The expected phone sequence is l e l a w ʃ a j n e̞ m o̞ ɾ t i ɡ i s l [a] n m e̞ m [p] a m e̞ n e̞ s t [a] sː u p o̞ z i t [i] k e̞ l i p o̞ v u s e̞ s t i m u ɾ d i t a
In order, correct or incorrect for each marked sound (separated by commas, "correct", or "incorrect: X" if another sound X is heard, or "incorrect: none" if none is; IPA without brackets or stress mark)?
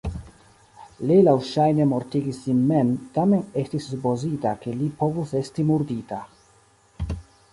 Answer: incorrect: i, incorrect: t, incorrect: i, incorrect: a